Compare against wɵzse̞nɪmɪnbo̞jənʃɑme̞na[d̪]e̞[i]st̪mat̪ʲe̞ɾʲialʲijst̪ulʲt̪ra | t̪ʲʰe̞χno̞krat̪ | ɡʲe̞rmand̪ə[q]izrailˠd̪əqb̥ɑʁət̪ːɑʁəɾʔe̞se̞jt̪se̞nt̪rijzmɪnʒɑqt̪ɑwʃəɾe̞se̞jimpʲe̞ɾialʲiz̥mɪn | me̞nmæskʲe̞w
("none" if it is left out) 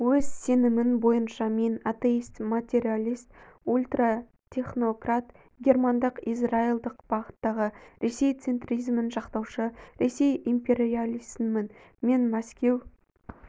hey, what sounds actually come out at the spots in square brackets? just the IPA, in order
t̪, i, q

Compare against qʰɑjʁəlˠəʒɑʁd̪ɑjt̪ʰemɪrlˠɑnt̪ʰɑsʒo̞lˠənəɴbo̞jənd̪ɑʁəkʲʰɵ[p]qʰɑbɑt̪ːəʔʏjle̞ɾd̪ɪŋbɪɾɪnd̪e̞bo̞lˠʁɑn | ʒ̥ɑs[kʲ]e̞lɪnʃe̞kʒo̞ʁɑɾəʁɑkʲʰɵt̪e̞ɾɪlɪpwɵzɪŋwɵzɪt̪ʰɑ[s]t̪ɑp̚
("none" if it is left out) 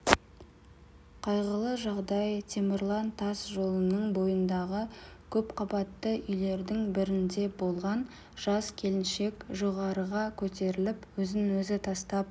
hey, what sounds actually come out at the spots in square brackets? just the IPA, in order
p, kʲʰ, s

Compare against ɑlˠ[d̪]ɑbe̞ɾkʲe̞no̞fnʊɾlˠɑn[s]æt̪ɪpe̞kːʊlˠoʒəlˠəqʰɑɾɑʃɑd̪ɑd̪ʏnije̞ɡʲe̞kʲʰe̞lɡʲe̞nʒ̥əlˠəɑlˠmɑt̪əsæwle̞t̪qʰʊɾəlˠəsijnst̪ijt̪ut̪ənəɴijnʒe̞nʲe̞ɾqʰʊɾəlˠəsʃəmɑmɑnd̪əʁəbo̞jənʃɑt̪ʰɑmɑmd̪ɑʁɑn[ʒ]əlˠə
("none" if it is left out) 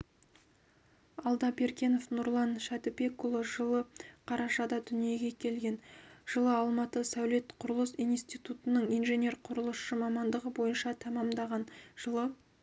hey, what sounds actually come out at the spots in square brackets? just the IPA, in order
d̪, ʃ, ʒ

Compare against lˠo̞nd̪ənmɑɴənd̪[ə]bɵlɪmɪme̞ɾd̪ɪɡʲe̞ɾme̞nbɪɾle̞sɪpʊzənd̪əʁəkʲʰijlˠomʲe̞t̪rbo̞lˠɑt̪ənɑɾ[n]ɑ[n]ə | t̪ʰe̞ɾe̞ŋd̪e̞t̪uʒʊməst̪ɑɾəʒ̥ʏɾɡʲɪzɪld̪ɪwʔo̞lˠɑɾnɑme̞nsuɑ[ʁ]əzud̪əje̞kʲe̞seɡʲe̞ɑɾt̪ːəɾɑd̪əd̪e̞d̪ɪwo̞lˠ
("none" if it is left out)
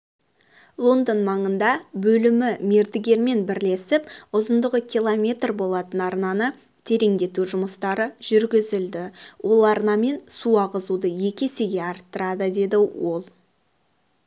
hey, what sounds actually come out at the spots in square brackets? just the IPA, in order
ɑ, n, n, ʁ

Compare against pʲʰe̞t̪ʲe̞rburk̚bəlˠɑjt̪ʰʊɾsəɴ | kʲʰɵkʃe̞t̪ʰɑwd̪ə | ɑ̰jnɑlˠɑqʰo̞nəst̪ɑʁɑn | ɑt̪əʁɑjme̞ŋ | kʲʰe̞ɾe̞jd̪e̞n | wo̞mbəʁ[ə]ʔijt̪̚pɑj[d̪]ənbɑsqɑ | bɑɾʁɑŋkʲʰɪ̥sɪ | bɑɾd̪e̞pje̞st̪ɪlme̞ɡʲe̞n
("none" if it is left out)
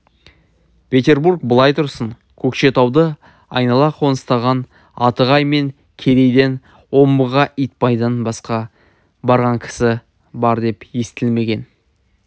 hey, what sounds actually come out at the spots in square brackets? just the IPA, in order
ɑ, d̪

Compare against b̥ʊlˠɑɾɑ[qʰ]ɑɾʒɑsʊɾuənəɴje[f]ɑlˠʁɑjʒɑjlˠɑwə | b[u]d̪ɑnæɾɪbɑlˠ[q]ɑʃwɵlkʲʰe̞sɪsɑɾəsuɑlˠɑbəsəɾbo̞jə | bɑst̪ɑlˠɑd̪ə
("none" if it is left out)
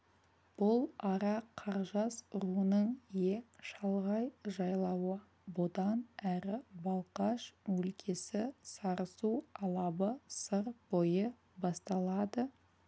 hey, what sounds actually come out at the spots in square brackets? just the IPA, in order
qʰ, ʃ, ʊ, q

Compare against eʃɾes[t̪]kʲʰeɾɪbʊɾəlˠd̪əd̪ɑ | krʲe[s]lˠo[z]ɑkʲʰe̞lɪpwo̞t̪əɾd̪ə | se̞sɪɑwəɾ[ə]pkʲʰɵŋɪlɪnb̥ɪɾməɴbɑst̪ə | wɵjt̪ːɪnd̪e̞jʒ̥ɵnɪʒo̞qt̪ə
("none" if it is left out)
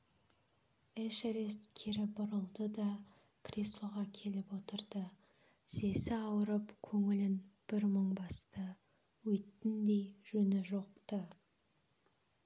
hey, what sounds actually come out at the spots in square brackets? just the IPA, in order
t̪, s, ʁ, ə

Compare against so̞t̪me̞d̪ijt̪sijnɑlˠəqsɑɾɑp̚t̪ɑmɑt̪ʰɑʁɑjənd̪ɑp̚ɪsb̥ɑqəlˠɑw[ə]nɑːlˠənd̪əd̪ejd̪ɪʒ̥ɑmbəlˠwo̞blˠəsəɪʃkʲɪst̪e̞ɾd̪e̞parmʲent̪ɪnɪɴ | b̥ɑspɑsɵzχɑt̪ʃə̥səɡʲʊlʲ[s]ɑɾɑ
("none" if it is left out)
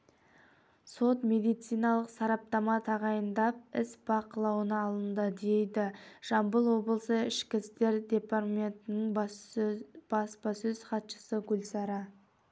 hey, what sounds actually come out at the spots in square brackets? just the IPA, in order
ə, s

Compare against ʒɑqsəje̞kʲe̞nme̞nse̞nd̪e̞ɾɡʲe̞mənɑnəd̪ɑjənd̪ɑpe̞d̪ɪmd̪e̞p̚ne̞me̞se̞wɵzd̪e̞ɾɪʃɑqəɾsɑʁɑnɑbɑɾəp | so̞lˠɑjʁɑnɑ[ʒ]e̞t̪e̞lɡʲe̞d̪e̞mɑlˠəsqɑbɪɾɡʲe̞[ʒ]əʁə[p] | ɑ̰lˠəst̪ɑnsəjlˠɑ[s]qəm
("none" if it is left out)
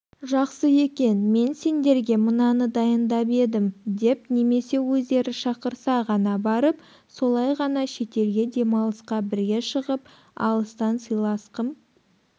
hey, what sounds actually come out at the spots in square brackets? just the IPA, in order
ʃ, ʃ, p, s

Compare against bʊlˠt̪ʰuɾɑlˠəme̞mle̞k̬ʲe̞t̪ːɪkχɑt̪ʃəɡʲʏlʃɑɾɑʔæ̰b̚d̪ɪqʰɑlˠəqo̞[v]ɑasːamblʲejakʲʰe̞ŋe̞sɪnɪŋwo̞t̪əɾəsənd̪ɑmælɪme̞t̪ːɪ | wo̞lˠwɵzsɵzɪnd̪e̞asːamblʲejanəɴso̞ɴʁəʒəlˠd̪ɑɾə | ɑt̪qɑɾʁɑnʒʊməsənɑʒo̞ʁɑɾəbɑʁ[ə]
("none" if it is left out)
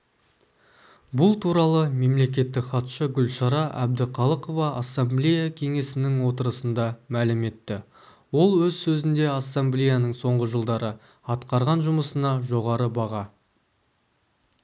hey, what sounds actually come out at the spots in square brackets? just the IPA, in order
v, ɑ

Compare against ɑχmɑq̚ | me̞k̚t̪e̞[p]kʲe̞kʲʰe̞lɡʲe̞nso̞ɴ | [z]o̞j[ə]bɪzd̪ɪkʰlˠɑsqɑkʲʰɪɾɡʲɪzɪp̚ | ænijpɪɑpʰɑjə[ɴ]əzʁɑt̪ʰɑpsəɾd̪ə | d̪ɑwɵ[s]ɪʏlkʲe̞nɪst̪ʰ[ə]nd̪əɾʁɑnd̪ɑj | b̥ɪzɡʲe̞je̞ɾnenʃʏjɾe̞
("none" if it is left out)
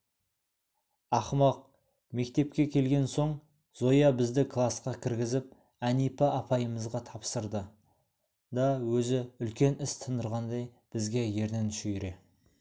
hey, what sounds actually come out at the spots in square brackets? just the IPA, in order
p, z, ɑ, m, z, ə

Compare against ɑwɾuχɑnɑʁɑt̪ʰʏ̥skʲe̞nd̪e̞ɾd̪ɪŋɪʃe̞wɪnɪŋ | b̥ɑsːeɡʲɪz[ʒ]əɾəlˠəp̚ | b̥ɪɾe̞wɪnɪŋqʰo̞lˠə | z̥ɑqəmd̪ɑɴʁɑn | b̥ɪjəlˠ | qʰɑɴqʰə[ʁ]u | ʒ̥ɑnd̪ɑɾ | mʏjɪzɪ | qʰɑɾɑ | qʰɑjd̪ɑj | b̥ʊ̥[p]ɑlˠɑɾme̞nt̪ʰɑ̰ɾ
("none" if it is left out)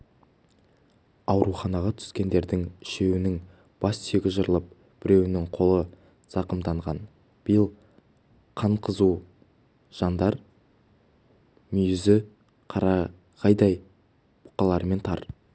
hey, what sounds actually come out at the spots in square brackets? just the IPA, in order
ʒ, z, q

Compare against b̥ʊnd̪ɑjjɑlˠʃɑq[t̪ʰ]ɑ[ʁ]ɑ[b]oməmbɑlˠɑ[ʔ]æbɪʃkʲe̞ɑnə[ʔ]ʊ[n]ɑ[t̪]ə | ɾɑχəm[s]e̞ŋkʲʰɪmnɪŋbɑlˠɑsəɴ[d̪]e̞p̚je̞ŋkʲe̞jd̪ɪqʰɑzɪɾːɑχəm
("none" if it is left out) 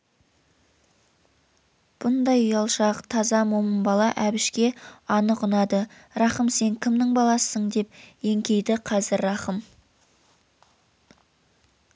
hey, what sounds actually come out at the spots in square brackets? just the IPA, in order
t̪ʰ, z, m, ʔ, q, n, d̪, s, d̪

